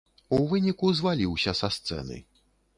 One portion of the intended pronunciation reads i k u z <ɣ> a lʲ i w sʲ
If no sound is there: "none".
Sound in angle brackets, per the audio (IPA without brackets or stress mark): v